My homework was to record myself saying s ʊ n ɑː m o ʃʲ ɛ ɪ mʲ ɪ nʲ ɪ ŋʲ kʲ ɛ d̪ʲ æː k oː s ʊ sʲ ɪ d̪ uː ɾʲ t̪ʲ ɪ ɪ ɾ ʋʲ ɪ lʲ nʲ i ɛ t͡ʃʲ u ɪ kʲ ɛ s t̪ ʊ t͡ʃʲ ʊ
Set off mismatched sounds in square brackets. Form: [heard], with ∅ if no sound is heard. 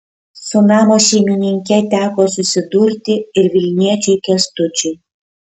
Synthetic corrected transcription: s ʊ n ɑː m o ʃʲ ɛ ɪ mʲ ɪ nʲ ɪ ŋʲ kʲ ɛ [t̪ʲ] æː k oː s ʊ sʲ ɪ d̪ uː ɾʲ t̪ʲ ɪ ɪ ɾ ʋʲ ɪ lʲ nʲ i ɛ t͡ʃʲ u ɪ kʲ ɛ s t̪ ʊ t͡ʃʲ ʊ

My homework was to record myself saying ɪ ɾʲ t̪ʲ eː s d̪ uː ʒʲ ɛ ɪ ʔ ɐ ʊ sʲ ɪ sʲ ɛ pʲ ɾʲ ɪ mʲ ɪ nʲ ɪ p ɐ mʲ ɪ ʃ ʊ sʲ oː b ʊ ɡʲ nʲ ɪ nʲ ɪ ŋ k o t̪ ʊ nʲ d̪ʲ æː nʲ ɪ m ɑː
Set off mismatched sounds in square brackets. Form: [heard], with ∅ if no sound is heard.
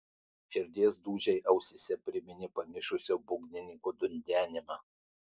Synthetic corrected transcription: ɪ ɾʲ [d̪ʲ] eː s d̪ uː ʒʲ ɛ ɪ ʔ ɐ ʊ sʲ ɪ sʲ ɛ pʲ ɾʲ ɪ mʲ ɪ nʲ ɪ p ɐ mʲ ɪ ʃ ʊ sʲ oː b ʊ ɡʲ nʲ ɪ nʲ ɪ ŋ k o [d̪] ʊ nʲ d̪ʲ æː nʲ ɪ m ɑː

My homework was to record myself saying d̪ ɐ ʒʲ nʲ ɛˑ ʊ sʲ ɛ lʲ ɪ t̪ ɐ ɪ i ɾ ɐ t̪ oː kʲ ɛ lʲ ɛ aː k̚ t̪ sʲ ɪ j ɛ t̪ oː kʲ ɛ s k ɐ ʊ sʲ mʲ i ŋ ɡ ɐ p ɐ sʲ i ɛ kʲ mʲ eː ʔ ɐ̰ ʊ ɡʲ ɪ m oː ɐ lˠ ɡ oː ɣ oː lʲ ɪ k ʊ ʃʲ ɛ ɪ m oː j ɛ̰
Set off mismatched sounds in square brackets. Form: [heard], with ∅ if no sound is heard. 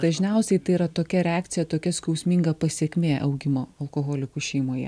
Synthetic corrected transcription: d̪ ɐ ʒʲ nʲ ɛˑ ʊ sʲ ɛ [∅] ɪ t̪ ɐ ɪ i ɾ ɐ t̪ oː kʲ ɛ [ɾʲ] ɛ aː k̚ t̪ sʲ ɪ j ɛ t̪ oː kʲ ɛ s k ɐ ʊ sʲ mʲ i ŋ ɡ ɐ p ɐ sʲ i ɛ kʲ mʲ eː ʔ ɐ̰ ʊ ɡʲ ɪ m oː ɐ lˠ [k] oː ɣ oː lʲ ɪ k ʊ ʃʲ ɛ ɪ m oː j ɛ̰

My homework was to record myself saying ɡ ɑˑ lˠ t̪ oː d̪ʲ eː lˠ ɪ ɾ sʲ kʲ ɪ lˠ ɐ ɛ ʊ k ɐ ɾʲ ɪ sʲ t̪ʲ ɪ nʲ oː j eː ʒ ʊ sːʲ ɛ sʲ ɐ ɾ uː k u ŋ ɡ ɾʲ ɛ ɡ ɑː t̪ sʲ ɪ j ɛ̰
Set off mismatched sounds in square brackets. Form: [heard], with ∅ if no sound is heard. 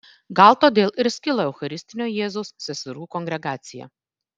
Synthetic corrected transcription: ɡ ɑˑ lˠ t̪ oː d̪ʲ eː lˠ ɪ ɾ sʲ kʲ ɪ lˠ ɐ ɛ ʊ [x] ɐ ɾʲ ɪ sʲ t̪ʲ ɪ nʲ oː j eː [z] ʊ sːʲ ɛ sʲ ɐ ɾ uː k [ɔ] ŋ ɡ ɾʲ ɛ ɡ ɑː t̪ sʲ ɪ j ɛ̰

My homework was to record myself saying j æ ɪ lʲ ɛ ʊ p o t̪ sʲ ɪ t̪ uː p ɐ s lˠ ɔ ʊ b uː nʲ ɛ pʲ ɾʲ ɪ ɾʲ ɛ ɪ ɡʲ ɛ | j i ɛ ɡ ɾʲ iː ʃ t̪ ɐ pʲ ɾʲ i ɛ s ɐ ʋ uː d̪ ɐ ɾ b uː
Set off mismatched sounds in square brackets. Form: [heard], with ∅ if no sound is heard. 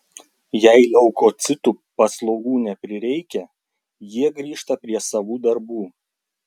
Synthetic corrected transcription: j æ ɪ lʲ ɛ ʊ [k] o t̪ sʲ ɪ t̪ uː p ɐ s lˠ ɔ ʊ [ɡ] uː nʲ ɛ pʲ ɾʲ ɪ ɾʲ ɛ ɪ [kʲ] ɛ | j i ɛ ɡ ɾʲ iː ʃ t̪ ɐ pʲ ɾʲ i ɛ s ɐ ʋ uː d̪ ɐ ɾ b uː

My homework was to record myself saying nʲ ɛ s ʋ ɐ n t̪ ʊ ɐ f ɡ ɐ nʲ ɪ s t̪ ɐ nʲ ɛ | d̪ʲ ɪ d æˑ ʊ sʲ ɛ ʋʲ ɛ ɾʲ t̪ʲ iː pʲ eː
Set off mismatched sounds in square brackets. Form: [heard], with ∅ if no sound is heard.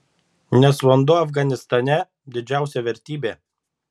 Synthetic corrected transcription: nʲ ɛ s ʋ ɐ n [d̪] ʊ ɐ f ɡ ɐ nʲ ɪ s t̪ ɐ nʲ ɛ | d̪ʲ ɪ [d͡ʒʲ] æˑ ʊ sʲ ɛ ʋʲ ɛ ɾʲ t̪ʲ iː [bʲ] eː

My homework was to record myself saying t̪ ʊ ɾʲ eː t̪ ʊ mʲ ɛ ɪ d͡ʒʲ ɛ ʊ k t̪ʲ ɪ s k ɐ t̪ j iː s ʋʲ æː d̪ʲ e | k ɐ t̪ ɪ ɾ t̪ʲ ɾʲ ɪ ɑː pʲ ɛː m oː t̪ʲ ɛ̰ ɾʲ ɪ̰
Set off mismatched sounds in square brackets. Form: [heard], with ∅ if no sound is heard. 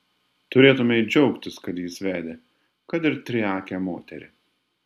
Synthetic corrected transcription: t̪ ʊ ɾʲ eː t̪ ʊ mʲ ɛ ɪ d͡ʒʲ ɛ ʊ k t̪ʲ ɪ s k ɐ t̪ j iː s ʋʲ æː d̪ʲ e | k ɐ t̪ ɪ ɾ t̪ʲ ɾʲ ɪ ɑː [kʲ] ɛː m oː t̪ʲ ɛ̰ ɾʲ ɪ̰

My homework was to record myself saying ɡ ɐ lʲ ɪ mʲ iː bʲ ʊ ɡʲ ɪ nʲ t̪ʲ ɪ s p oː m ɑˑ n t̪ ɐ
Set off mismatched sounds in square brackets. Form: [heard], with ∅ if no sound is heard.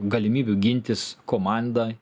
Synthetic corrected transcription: ɡ ɐ lʲ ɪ mʲ iː bʲ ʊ ɡʲ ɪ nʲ t̪ʲ ɪ s [k] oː m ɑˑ n [d̪] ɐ

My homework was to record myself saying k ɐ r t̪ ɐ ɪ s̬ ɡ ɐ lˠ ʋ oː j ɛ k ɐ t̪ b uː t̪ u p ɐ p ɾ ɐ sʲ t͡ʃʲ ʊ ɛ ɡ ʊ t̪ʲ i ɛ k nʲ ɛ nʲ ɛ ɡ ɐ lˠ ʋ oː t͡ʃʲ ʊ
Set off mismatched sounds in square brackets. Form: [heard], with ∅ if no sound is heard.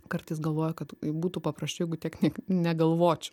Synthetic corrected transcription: k ɐ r t̪ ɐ ɪ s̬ ɡ ɐ lˠ ʋ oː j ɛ k ɐ t̪ b uː t̪ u p ɐ p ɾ ɐ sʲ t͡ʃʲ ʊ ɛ ɡ ʊ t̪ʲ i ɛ k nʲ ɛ nʲ ɛ ɡ ɐ lˠ ʋ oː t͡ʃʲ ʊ

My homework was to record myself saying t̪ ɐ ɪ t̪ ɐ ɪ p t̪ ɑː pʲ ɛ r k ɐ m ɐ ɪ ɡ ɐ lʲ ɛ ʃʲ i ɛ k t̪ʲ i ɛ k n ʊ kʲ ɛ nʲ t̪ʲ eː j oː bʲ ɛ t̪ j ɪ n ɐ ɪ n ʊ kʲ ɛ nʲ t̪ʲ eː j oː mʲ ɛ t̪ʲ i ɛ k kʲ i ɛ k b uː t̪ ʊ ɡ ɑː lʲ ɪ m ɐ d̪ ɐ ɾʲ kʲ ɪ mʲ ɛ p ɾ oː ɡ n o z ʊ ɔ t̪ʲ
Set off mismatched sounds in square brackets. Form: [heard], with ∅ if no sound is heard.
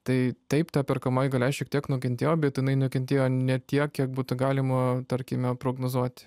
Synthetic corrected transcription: t̪ ɐ ɪ t̪ ɐ ɪ p t̪ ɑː pʲ ɛ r k ɐ m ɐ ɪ ɡ ɐ lʲ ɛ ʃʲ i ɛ k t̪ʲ i ɛ k n ʊ kʲ ɛ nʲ t̪ʲ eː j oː bʲ ɛ t̪ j ɪ n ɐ ɪ n ʊ kʲ ɛ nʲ t̪ʲ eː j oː [nʲ] ɛ t̪ʲ i ɛ k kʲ i ɛ k b uː t̪ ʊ ɡ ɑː lʲ ɪ m ɐ [t̪] ɐ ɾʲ kʲ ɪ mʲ ɛ p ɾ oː ɡ n o z [u] ɔ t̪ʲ

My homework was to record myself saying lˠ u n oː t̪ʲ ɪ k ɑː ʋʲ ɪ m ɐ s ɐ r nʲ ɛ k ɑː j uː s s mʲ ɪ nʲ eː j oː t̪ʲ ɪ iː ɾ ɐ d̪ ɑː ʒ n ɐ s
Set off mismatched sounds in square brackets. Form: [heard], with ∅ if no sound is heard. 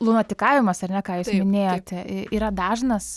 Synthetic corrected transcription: lˠ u n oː t̪ʲ ɪ k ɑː ʋʲ ɪ m ɐ s ɐ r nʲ ɛ k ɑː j uː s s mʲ ɪ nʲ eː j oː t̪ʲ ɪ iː ɾ ɐ d̪ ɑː ʒ n ɐ s

